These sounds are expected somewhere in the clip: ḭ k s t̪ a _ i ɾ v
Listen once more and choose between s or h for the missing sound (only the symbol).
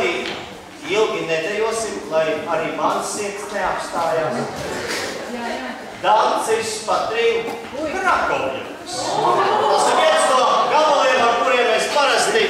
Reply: s